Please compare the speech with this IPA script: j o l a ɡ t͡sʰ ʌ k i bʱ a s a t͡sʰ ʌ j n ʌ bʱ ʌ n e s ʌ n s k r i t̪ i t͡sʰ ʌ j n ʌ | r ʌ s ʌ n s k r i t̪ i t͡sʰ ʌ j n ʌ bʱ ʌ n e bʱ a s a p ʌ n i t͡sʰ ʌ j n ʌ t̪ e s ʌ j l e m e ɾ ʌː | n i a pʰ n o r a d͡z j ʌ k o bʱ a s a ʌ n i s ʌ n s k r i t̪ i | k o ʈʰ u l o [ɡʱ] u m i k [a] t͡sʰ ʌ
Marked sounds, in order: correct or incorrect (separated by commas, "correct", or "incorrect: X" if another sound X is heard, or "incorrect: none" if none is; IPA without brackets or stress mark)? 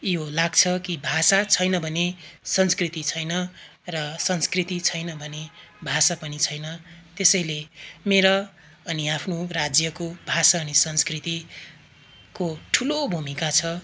incorrect: bʱ, correct